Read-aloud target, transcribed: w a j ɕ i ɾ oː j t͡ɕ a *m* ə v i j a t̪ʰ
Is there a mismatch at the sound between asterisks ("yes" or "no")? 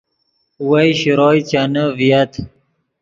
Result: yes